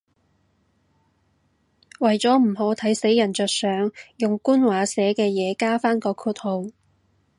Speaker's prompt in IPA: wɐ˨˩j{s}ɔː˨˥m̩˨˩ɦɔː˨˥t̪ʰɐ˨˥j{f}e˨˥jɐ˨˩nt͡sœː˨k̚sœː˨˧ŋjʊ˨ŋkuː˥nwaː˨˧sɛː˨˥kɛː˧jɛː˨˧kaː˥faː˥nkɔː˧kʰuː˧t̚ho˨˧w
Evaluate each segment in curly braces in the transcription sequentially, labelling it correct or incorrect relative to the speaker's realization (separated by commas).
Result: incorrect, incorrect